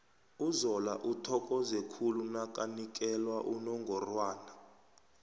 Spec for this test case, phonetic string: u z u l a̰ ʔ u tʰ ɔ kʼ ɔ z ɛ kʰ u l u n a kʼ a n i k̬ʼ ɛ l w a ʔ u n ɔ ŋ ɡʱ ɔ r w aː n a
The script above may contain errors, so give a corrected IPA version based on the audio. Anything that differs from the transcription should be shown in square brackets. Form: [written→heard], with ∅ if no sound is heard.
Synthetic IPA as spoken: u z [u→ɔ] l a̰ ʔ u tʰ ɔ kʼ ɔ z ɛ kʰ u l u n a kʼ a n i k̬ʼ ɛ l w a ʔ u n ɔ ŋ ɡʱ ɔ r w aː n a

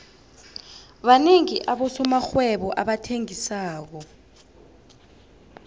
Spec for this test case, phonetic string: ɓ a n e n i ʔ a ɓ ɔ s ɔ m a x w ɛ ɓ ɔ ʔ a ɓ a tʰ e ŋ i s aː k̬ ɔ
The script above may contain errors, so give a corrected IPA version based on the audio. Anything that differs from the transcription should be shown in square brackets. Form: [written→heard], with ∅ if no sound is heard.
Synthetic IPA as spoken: ɓ a n e [n→ŋ] i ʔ a ɓ ɔ s ɔ m a x w ɛ ɓ ɔ ʔ a ɓ a tʰ e ŋ i s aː k̬ ɔ

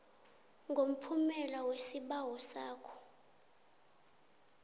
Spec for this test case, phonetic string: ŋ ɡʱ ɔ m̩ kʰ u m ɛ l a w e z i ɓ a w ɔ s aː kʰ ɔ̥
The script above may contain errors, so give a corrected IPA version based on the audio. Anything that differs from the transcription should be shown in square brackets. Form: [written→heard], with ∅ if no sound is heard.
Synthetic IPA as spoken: ŋ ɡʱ [ɔ→o] m̩ [kʰ→pʰ] u m ɛ l a w e [z→s] i ɓ a w ɔ s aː kʰ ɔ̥

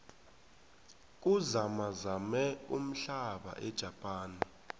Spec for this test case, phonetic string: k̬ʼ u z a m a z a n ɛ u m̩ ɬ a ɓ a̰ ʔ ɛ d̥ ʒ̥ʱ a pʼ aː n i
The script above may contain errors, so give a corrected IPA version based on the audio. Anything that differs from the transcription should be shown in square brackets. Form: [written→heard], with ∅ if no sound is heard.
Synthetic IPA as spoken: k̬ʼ u z a m a z a [n→m] ɛ u m̩ ɬ a ɓ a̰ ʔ ɛ d̥ ʒ̥ʱ a pʼ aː n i

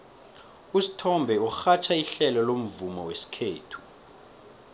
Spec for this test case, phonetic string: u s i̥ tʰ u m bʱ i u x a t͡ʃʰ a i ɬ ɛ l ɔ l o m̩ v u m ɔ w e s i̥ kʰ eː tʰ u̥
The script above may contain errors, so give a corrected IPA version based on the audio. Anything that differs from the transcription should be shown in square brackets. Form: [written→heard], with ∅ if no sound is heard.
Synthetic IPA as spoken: u s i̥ tʰ [u→ɔ] m bʱ [i→ɛ] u x a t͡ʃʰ a i ɬ ɛ l ɔ l o m̩ v u m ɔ w e s i̥ kʰ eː tʰ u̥

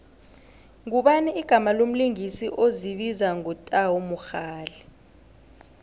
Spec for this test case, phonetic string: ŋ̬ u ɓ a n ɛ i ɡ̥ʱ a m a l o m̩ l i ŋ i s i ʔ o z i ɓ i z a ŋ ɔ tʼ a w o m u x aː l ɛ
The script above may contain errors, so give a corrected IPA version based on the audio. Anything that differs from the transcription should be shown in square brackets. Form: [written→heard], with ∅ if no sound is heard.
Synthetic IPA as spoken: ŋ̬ u ɓ a n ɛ i ɡ̥ʱ a m a l o m̩ l i ŋ i s i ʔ o z i ɓ i z a ŋ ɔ tʼ a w o m u x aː l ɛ

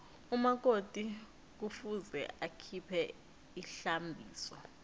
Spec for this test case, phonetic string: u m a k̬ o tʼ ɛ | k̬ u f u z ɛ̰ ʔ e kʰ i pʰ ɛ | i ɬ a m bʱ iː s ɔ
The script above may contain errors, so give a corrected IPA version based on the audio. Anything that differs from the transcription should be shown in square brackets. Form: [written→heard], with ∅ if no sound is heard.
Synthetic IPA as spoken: u m a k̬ o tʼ [ɛ→i] | k̬ u f u z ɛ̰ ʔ [e→a] kʰ i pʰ ɛ | i ɬ a m bʱ iː s ɔ

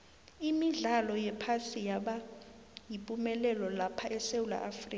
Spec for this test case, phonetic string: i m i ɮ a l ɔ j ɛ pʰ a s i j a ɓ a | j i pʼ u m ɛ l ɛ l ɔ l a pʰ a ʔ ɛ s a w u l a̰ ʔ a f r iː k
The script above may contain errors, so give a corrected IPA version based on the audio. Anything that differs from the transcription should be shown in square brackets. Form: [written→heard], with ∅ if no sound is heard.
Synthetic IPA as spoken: i m i ɮ a l ɔ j ɛ pʰ a s i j a ɓ a | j i pʼ u m ɛ l ɛ l ɔ l a pʰ a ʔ ɛ s [a→e] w u l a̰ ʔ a f r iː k

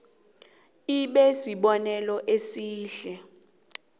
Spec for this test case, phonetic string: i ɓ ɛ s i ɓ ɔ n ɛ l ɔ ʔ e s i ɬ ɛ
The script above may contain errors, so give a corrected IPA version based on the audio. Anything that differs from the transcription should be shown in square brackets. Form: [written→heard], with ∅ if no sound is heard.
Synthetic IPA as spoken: i ɓ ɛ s i ɓ ɔ n ɛ l ɔ ʔ e s [i→iː] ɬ ɛ

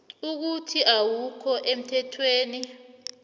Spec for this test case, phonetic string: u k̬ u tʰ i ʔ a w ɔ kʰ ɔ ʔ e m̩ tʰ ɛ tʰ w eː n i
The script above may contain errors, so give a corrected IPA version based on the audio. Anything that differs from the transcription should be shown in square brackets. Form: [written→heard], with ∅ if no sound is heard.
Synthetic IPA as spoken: u k̬ u tʰ i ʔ a w [ɔ→u] kʰ ɔ ʔ e m̩ tʰ ɛ tʰ w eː n i

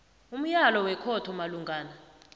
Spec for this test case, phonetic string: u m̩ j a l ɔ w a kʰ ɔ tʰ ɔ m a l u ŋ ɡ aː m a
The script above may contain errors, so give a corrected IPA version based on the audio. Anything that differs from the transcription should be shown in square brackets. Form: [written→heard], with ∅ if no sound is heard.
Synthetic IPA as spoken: u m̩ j a l ɔ w [a→ɛ] kʰ ɔ tʰ ɔ m a l u ŋ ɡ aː [m→n] a

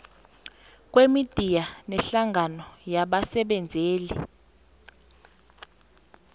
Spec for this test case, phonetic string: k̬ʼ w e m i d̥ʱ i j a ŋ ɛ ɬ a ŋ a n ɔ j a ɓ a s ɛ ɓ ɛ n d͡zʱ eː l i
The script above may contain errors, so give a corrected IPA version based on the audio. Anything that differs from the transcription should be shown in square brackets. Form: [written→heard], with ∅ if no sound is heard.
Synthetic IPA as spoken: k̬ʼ w e m i d̥ʱ i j a [ŋ→n] ɛ ɬ a ŋ a n ɔ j a ɓ a s ɛ ɓ ɛ n d͡zʱ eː l i

